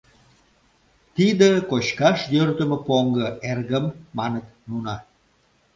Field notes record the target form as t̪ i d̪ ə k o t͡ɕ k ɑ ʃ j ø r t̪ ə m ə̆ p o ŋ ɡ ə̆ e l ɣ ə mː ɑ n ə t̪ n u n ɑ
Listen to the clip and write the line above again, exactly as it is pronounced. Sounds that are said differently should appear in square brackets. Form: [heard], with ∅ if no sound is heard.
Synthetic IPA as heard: t̪ i d̪ ə k o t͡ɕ k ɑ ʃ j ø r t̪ ə m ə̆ p o ŋ ɡ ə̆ e [r] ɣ ə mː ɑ n ə t̪ n u n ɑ